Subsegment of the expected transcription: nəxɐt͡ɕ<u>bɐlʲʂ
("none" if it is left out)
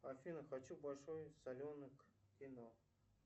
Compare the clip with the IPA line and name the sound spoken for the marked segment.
u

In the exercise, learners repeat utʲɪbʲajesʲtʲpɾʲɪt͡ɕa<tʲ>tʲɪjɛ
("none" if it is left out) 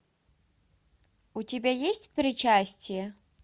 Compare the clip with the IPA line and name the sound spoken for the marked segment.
sʲ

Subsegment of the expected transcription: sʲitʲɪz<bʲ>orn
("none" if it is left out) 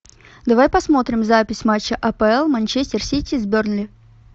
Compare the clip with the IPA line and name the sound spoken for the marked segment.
bʲ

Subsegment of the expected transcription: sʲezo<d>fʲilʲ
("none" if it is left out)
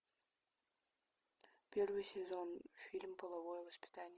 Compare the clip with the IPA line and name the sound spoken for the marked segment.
n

